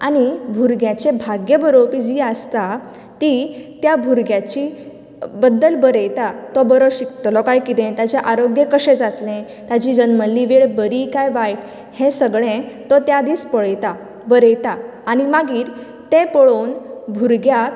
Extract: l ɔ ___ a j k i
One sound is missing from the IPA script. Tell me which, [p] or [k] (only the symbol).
k